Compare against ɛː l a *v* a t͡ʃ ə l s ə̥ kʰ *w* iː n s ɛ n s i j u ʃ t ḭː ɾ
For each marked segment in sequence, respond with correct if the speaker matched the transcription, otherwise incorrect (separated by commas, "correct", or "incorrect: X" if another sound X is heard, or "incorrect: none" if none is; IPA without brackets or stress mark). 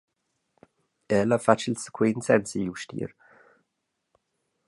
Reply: incorrect: f, correct